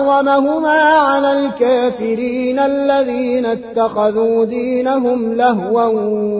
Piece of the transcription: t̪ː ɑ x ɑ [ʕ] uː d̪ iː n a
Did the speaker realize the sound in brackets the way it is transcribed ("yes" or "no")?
no